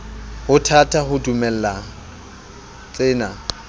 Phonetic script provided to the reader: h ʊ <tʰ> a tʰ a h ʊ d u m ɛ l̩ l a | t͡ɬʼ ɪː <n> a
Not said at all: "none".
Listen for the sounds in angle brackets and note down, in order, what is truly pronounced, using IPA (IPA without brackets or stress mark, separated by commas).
tʰ, n